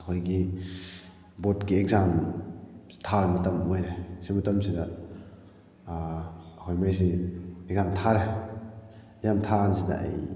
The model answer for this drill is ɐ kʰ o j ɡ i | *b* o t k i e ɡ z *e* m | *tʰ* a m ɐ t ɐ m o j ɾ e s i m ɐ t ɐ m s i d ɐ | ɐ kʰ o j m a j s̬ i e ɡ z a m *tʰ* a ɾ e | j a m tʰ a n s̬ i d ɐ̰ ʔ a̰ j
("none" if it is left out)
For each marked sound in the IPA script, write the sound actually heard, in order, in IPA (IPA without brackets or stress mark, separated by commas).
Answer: b, a, tʰ, tʰ